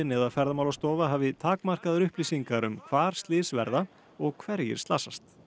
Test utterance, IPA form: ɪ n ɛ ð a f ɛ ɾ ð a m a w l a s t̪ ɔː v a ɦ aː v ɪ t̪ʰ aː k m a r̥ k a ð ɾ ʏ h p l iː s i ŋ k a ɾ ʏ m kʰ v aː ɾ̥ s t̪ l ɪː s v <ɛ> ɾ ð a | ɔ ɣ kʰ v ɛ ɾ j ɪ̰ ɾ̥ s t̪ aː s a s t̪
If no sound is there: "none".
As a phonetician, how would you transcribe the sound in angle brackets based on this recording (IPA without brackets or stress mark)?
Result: ɛ